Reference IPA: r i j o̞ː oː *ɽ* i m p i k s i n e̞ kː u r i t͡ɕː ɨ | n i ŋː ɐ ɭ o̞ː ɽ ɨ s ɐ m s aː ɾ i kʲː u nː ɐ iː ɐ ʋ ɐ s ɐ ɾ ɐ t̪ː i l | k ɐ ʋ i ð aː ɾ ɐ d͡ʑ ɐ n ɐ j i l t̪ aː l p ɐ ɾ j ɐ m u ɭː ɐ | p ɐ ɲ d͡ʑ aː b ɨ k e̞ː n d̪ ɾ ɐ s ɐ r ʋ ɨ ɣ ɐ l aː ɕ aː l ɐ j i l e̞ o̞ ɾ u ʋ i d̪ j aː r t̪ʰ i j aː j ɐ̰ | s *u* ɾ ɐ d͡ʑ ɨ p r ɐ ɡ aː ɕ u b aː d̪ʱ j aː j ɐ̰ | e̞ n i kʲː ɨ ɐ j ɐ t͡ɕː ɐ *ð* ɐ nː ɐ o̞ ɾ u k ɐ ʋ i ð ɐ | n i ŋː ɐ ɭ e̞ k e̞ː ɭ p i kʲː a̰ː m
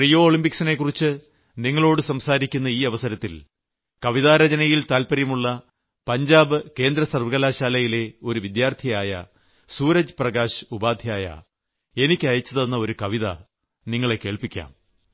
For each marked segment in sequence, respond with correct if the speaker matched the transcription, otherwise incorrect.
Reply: incorrect, incorrect, correct

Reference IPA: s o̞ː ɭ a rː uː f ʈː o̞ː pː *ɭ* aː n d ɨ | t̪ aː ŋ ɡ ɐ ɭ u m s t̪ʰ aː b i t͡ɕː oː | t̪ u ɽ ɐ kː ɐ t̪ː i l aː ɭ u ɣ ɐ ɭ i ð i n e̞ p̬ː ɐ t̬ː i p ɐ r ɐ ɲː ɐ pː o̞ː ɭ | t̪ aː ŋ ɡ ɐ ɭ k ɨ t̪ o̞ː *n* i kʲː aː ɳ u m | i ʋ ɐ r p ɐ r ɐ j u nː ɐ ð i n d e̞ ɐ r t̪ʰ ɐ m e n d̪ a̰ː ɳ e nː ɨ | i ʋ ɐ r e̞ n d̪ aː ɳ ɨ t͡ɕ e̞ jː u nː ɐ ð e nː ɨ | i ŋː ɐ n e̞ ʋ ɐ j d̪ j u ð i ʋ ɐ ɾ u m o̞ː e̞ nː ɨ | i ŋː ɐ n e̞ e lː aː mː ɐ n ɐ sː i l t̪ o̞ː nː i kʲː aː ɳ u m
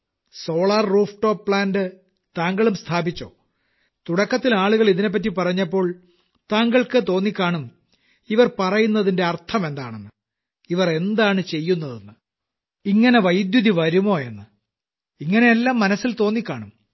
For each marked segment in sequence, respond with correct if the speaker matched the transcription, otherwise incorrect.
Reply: correct, incorrect

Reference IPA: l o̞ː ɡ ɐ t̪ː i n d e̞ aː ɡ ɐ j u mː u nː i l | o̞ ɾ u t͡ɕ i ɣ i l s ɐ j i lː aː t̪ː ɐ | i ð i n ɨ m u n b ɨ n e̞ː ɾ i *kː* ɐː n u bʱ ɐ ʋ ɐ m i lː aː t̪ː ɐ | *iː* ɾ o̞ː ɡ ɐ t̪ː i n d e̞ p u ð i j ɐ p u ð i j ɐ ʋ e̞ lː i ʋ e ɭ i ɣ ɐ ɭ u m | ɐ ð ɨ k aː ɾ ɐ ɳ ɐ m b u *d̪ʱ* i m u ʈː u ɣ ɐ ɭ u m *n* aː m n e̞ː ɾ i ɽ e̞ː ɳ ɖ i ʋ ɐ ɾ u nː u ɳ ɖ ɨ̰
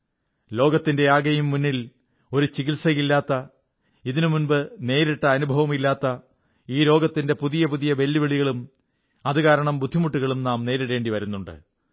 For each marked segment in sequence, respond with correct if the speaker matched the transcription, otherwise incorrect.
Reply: incorrect, correct, incorrect, correct

